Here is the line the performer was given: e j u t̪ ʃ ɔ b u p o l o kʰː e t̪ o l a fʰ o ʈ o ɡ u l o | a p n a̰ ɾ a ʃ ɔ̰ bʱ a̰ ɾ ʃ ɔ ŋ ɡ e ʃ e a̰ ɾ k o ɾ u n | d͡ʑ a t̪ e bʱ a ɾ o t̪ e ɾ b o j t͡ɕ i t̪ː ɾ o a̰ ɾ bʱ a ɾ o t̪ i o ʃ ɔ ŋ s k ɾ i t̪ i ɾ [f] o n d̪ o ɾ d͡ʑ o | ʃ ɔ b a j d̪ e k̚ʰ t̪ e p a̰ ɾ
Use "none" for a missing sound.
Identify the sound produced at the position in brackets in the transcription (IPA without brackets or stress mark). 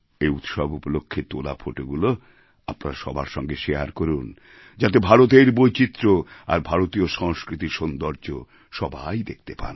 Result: ʃ